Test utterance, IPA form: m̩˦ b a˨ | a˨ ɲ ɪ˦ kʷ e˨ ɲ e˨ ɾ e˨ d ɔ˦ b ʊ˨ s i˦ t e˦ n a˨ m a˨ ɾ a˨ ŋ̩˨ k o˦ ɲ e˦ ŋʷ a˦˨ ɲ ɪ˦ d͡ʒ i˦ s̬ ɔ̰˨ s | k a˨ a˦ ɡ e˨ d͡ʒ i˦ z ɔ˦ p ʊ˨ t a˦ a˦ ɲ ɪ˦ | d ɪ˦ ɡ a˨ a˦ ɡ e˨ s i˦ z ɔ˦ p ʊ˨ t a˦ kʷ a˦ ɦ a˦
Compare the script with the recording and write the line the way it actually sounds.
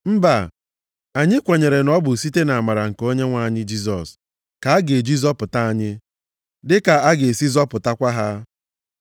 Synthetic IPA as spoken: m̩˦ b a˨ | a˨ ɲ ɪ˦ kʷ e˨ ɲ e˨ ɾ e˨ n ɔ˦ b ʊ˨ s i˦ t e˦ n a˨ m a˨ ɾ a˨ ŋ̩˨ k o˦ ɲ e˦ ŋʷ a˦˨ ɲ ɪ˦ d͡ʒ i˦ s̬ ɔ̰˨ s | k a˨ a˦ ɡ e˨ d͡ʒ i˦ z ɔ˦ p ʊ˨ t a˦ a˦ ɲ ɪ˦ | d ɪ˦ k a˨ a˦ ɡ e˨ s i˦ z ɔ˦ p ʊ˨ t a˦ kʷ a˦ ɦ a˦

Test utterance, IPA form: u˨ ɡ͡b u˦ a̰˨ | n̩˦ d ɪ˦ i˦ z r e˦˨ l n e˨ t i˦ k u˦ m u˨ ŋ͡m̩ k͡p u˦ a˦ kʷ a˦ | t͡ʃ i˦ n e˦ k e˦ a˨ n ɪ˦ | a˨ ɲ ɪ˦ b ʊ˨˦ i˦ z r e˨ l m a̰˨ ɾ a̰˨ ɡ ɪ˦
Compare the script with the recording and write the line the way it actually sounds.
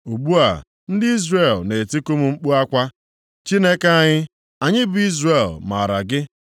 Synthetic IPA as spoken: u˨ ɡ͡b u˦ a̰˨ | n̩˦ d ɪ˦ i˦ z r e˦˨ l n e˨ t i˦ k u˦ m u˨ ŋ͡m̩ k͡p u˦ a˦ kʷ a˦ | t͡ʃ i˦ n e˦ k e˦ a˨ ɲ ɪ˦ | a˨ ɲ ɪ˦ b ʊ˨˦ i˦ z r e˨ l m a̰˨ ɾ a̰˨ ɡ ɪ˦

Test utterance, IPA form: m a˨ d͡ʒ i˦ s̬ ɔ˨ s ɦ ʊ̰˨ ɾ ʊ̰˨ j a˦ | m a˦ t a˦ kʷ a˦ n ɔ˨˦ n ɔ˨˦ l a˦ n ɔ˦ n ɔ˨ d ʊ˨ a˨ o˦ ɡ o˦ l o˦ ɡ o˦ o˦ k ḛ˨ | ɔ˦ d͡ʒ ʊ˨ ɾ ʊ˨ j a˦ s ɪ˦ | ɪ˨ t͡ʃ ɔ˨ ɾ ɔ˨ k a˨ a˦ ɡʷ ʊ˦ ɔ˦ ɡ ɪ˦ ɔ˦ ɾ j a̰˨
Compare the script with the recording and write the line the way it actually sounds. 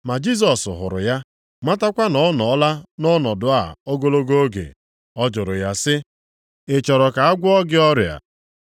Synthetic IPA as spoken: m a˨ d͡ʒ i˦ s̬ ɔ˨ s ɦ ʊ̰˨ ɾ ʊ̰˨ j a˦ | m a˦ t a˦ kʷ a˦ n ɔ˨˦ n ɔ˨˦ l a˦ n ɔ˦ n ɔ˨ d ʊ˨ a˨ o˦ ɡ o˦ l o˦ ɡ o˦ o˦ ɡ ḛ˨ | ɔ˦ d͡ʒ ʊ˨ ɾ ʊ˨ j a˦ s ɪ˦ | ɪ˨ t͡ʃ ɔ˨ ɾ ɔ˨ k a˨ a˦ ɡʷ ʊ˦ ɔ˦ ɡ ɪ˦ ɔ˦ ɾ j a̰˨

